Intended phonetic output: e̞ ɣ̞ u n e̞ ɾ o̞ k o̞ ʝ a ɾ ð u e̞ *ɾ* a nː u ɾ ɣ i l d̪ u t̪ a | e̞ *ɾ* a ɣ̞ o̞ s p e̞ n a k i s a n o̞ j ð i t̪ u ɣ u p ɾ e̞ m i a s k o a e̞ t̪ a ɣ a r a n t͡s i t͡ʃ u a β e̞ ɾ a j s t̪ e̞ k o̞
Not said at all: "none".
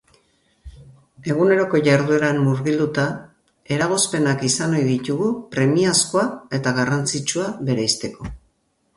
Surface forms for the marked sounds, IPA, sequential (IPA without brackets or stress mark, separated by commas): ɾ, ɾ